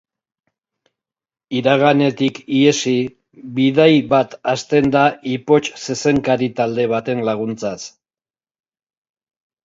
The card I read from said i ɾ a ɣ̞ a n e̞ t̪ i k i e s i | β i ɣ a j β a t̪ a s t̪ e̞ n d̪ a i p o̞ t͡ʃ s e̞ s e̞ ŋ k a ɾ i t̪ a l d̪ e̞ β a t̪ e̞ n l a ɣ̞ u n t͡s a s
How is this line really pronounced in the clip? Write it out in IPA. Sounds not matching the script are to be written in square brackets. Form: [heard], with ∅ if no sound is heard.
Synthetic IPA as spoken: i ɾ a ɣ̞ a n e̞ t̪ i k i e s i | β i [ð] a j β a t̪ a s t̪ e̞ n d̪ a i p o̞ t͡ʃ s e̞ s e̞ ŋ k a ɾ i t̪ a l d̪ e̞ β a t̪ e̞ n l a ɣ̞ u n t͡s a s

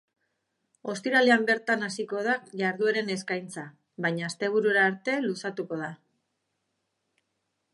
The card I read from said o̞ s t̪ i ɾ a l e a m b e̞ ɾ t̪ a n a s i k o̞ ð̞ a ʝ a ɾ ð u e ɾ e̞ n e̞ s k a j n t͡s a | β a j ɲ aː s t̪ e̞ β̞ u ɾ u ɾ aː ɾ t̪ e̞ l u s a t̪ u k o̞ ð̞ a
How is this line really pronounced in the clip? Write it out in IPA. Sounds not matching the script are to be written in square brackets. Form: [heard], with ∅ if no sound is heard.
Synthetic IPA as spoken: o̞ s t̪ i ɾ a l e a m b e̞ ɾ t̪ a n a s i k o̞ ð̞ a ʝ a ɾ ð u e ɾ e̞ n e̞ s k a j n t͡s a | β a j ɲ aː s t̪ e̞ β̞ u ɾ u ɾ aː ɾ t̪ e̞ l u s a t̪ u k o̞ ð̞ a

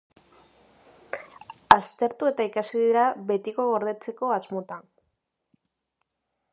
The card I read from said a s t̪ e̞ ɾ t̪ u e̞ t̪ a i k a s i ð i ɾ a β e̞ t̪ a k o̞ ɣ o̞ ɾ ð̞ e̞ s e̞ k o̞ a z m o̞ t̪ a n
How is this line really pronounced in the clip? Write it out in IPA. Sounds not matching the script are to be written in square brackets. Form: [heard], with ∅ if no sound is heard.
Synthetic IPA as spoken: a s t̪ e̞ ɾ t̪ u e̞ t̪ a i k a s i ð i ɾ a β e̞ t̪ [i] k o̞ ɣ o̞ ɾ ð̞ e̞ [t͡s] e̞ k o̞ a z m o̞ t̪ a n

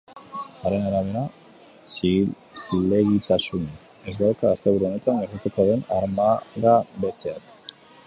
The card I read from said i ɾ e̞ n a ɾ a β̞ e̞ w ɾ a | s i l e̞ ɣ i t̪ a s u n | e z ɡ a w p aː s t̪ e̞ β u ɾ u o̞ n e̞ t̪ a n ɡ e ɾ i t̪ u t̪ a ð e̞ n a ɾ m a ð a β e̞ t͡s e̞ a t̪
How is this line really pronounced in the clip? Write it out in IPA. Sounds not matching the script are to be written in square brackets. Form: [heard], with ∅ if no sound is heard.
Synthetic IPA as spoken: [a] ɾ e̞ n a ɾ a β̞ e̞ [∅] ɾ a | s i l e̞ ɣ i t̪ a s u n | e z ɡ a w [k] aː s t̪ e̞ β u ɾ u o̞ n e̞ t̪ a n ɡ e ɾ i t̪ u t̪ a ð e̞ n a ɾ m a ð a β e̞ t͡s e̞ a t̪

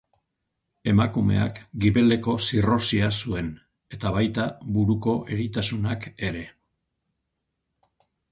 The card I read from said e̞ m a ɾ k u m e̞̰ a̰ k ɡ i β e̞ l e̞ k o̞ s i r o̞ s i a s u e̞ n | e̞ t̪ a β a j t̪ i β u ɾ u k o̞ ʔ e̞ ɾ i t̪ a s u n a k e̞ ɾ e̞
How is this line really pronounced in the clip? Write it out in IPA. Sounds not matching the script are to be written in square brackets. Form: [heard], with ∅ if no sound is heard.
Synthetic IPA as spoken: e̞ m a [∅] k u m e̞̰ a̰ k ɡ i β e̞ l e̞ k o̞ s i r o̞ s i a s u e̞ n | e̞ t̪ a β a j t̪ [a] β u ɾ u k o̞ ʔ e̞ ɾ i t̪ a s u n a k e̞ ɾ e̞

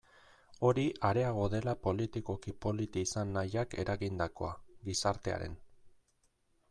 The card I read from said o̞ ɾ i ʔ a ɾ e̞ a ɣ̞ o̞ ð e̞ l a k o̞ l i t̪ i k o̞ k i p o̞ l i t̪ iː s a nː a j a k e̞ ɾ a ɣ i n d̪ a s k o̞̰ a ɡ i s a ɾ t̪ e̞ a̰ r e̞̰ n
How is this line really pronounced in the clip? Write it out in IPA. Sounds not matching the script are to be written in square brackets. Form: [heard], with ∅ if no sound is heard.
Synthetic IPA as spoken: o̞ ɾ i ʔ a ɾ e̞ a ɣ̞ o̞ ð e̞ l a [p] o̞ l i t̪ i k o̞ k i p o̞ l i t̪ iː s a nː a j a k e̞ ɾ a ɣ i n d̪ a [∅] k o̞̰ a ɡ i s a ɾ t̪ e̞ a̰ [ɾ] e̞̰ n

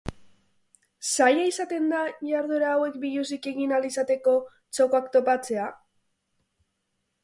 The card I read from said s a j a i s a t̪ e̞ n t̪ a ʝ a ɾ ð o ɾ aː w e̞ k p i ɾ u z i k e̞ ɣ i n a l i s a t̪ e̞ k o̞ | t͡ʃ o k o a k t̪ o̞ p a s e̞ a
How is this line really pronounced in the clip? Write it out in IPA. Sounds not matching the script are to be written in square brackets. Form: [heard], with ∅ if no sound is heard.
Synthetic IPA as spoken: s a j a i s a t̪ e̞ n [d̪] a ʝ a ɾ ð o ɾ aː w e̞ k [b] i [ʎ] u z i k e̞ ɣ i n a l i s a t̪ e̞ k o̞ | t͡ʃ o k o a k t̪ o̞ p a [t͡s] e̞ a

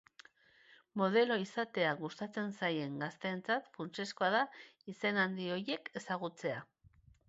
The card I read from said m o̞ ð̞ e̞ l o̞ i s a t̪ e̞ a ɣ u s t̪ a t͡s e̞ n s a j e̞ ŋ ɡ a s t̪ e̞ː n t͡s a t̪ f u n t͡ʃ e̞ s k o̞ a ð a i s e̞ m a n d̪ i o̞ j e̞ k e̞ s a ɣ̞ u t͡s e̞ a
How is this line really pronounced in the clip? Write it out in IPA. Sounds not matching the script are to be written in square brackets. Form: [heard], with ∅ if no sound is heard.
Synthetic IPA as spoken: m o̞ ð̞ e̞ l o̞ i s a t̪ e̞ a ɣ u s t̪ a t͡s e̞ n s a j e̞ ŋ ɡ a s t̪ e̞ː n t͡s a t̪ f u n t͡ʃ e̞ s k o̞ a ð a i s e̞ [n] a n d̪ i o̞ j e̞ k e̞ s a ɣ̞ u t͡s e̞ a

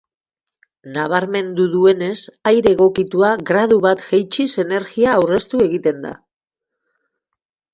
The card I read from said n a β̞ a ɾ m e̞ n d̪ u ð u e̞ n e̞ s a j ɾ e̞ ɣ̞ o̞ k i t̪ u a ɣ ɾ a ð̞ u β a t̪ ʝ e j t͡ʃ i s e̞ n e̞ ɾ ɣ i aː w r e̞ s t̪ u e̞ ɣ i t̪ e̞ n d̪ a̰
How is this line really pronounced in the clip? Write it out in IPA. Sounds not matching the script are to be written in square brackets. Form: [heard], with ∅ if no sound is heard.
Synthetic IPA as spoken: n a β̞ a ɾ m e̞ n d̪ u ð u e̞ n e̞ s a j ɾ e̞ ɣ̞ o̞ k i t̪ u a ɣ ɾ a ð̞ u β a t̪ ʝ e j t͡ʃ i s e̞ n e̞ ɾ ɣ i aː w r e̞ s t̪ u e̞ ɣ i t̪ e̞ n d̪ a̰

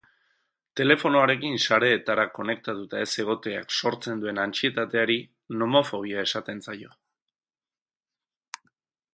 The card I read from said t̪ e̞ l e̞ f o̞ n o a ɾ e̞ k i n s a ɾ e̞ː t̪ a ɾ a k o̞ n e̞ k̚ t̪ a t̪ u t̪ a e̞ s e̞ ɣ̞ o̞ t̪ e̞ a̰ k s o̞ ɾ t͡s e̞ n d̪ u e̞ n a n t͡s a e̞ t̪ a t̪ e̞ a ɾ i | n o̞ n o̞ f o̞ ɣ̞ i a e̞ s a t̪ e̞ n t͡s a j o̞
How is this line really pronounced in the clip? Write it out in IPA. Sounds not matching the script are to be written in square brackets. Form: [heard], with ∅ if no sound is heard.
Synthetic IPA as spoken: t̪ e̞ l e̞ f o̞ n o a ɾ e̞ k i n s a ɾ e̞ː t̪ a ɾ a k o̞ n e̞ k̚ t̪ a t̪ u t̪ a e̞ s e̞ ɣ̞ o̞ t̪ e̞ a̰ k s o̞ ɾ t͡s e̞ n d̪ u e̞ n a n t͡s [i] e̞ t̪ a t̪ e̞ a ɾ i | n o̞ [m] o̞ f o̞ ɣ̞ i a e̞ s a t̪ e̞ n t͡s a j o̞

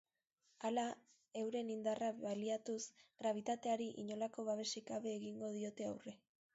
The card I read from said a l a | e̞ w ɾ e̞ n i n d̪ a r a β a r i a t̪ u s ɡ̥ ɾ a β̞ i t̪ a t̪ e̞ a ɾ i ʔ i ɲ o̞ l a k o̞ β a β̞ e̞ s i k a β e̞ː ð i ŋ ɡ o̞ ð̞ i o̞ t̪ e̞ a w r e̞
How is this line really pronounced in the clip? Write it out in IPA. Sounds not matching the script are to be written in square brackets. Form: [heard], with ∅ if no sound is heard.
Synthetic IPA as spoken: a l a | e̞ w ɾ e̞ n i n d̪ a r a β a [l] i a t̪ u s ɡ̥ ɾ a β̞ i t̪ a t̪ e̞ a ɾ i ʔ i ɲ o̞ l a k o̞ β a β̞ e̞ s i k a β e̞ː [ɣ] i ŋ ɡ o̞ ð̞ i o̞ t̪ e̞ a w r e̞

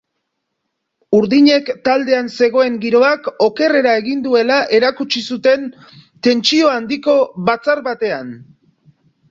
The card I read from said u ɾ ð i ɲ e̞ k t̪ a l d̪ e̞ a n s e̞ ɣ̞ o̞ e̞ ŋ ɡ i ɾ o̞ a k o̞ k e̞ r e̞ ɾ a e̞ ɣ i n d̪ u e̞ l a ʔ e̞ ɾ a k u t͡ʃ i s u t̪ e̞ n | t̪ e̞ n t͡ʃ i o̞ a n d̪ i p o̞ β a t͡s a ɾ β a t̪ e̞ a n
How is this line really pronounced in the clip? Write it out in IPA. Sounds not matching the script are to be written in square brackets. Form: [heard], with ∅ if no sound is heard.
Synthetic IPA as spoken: u ɾ ð i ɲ e̞ k t̪ a l d̪ e̞ a n s e̞ ɣ̞ o̞ e̞ ŋ ɡ i ɾ o̞ a k o̞ k e̞ r e̞ ɾ a e̞ ɣ i n d̪ u e̞ l a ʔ e̞ ɾ a k u t͡ʃ i s u t̪ e̞ n | t̪ e̞ n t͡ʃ i o̞ a n d̪ i [k] o̞ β a t͡s a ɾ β a t̪ e̞ a n

